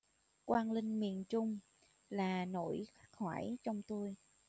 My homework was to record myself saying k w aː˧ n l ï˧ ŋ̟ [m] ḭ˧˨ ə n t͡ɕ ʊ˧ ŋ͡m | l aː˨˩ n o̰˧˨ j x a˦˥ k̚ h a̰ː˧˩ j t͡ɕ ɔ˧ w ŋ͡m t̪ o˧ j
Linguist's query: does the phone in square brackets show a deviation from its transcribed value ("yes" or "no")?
no